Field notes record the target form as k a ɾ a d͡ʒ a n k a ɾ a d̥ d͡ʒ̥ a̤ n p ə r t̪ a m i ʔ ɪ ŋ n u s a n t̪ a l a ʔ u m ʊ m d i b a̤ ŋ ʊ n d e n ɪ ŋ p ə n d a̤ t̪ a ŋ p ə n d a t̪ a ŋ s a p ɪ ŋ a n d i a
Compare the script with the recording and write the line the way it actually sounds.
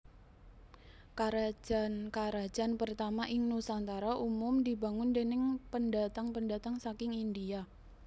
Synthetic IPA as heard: k a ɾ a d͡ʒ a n k a ɾ a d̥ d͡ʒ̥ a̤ n p ə r t̪ a m a ʔ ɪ ŋ n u s a n t̪ a ɾ a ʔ u m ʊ m d i b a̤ ŋ ʊ n d e n ɪ ŋ p ə n d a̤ t̪ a ŋ p ə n d a t̪ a ŋ s a k ɪ ŋ i n d i a

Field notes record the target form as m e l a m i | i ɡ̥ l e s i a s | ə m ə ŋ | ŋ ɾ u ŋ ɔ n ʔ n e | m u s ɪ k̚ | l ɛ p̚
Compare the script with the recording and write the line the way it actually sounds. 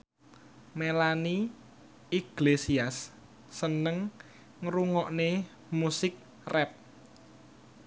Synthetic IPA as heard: m e l a n i | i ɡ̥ l e s i a sː | ə n ə ŋ | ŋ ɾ u ŋ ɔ ʔ n e | m u s ɪ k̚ | r ɛ p̚

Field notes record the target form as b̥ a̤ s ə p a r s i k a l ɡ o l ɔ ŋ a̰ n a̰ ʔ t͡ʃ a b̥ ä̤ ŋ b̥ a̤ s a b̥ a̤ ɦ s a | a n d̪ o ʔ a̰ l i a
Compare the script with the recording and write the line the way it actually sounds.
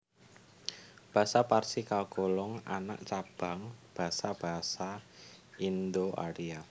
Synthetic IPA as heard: b̥ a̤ s a p a r s i k a l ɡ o l ɔ ŋ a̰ n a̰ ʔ t͡ʃ a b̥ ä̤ ŋ b̥ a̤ s a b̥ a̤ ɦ s a | i n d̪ o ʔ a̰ ɾ i a

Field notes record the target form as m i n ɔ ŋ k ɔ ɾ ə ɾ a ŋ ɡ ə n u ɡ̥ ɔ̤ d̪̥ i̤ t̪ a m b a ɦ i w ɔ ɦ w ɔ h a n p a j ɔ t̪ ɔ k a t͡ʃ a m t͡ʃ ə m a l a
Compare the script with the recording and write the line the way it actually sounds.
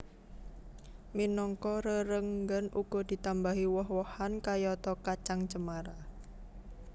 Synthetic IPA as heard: m i n ɔ ŋ k ɔ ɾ ə ɾ ə ŋ ɡ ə n u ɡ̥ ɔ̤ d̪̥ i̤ t̪ a m b a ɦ i w ɔ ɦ w ɔ h a n k a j ɔ t̪ ɔ k a t͡ʃ a ŋ t͡ʃ ə m a ɾ a

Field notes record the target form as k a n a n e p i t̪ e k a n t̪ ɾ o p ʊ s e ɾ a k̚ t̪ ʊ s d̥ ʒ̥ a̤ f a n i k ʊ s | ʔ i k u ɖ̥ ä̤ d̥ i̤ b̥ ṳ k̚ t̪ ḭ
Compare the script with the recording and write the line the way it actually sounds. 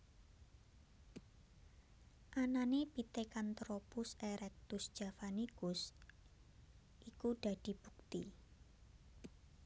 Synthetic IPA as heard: ʔ a n a n e p i t̪ e k a n t̪ ɾ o p ʊ s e ɾ ɛ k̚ t̪ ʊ s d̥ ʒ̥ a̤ f a n i k ʊ s | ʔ i k u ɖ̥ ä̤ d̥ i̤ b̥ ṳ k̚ t̪ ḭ

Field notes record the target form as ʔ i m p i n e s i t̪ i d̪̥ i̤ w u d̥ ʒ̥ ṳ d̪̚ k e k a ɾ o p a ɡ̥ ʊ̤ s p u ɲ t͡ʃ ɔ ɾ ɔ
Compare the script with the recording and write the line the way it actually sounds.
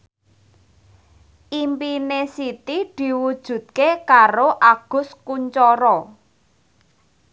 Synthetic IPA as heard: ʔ i m p i n e s i t̪ i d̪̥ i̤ w u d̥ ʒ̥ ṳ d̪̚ k e k a ɾ o ʔ a ɡ̥ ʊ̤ s k u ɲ t͡ʃ ɔ ɾ ɔ

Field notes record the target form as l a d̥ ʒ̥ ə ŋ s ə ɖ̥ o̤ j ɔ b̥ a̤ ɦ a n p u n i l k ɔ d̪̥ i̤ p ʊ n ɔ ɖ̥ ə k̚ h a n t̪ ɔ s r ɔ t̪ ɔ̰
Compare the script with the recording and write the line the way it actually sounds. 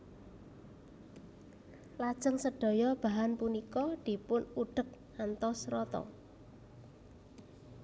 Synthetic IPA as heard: l a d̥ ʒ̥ ə ŋ s ə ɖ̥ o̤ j ɔ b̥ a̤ ɦ a n p u n i k ɔ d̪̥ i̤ p ʊ n u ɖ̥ ə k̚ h a n t̪ ɔ s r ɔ t̪ ɔ̰

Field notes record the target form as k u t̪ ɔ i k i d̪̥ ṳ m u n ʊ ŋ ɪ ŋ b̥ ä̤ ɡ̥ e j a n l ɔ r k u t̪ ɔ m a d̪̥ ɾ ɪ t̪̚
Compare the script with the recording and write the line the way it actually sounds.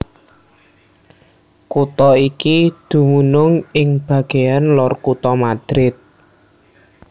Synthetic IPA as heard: k u t̪ ɔ i k i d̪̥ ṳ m u n ʊ ŋ ɪ ŋ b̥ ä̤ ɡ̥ e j a n l ɔ r k u t̪ ɔ m a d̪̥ ɾ ɪ t̪̚

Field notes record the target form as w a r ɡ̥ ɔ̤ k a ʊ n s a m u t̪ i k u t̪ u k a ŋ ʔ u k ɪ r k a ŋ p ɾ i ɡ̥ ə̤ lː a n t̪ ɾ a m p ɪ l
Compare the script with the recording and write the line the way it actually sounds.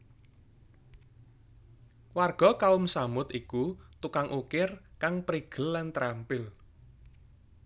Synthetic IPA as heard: w a r ɡ̥ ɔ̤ k a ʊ m s a m ʊ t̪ i k u t̪ u k a ŋ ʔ u k ɪ r k a ŋ p ɾ i ɡ̥ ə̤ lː a n t̪ ɾ a m p ɪ l

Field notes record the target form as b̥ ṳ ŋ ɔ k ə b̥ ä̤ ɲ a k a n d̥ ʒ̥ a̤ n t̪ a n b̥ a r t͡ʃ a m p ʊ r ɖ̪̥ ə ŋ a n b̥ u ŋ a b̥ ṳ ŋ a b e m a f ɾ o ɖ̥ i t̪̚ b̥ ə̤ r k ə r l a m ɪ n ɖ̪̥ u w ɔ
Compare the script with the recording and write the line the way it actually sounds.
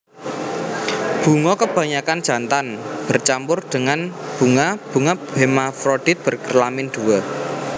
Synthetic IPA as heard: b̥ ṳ ŋ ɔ k ə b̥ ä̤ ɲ a k a n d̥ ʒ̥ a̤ n t̪ a n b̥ ə r t͡ʃ a m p ʊ r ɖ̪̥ ə ŋ a n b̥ u ŋ a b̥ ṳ ŋ a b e m a f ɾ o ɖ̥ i t̪̚ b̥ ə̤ r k ə r l a m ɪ n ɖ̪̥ u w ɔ

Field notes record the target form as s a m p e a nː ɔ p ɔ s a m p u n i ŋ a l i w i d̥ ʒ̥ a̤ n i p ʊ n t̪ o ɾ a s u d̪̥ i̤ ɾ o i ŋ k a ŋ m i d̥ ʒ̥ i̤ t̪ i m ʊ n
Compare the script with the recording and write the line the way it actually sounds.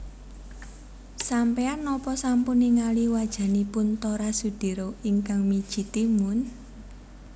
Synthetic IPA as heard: s a m p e a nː ɔ p ɔ s a m p u n i ŋ a l i w a d̥ ʒ̥ a̤ n i p ʊ n t̪ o ɾ a s u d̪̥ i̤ ɾ o i ŋ k a ŋ m i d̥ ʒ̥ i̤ t̪ i m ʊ n

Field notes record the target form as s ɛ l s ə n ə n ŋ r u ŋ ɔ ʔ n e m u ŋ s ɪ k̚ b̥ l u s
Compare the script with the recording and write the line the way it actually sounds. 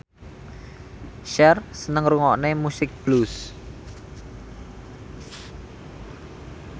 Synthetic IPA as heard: ʃ ɛ r s ə n ə ŋ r u ŋ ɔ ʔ n e m u s ɪ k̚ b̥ l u s

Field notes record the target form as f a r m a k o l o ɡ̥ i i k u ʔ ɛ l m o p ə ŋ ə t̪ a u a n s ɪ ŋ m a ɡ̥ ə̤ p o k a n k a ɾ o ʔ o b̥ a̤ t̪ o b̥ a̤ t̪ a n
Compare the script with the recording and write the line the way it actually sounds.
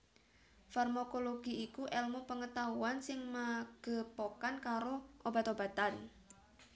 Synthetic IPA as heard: f a r m a k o l o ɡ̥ i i k u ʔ ɛ l m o p ə ŋ ə t̪ a u a n s ɪ ŋ m a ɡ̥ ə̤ p o k a n k a ɾ o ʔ o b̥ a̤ t̪ o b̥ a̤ t̪ a n

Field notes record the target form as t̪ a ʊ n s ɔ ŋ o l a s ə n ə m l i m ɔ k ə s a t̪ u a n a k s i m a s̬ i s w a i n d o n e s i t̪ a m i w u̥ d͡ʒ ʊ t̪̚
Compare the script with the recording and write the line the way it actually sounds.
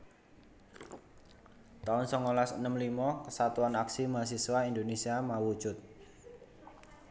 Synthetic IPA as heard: t̪ a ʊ n s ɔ ŋ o l a s ə n ə m l i m ɔ k ə s a t̪ u a n a k s i m a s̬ i s w a i n d o n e s i a m a w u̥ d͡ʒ ʊ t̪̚

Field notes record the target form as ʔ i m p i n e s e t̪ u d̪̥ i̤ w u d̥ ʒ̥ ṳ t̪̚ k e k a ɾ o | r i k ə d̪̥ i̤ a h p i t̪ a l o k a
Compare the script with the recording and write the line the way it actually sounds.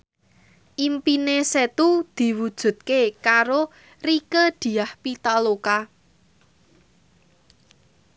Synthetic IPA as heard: ʔ i m p i n e s e t̪ u d̪̥ i̤ w u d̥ ʒ̥ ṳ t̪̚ k e k a ɾ o | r i k ə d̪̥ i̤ a h p i t̪ a l o k a

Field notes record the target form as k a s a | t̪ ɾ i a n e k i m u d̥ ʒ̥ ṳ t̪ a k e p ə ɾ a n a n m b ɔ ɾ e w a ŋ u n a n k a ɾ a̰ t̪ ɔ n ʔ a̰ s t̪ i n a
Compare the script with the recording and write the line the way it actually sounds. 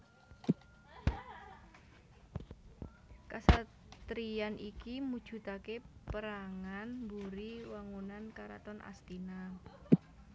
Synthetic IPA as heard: k a s a | t̪ ɾ i a n i k i m u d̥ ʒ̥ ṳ t̪ a k e p ə ɾ a ŋ a n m b u ɾ i w a ŋ u n a n k a ɾ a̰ t̪ ɔ n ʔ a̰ s t̪ i n a

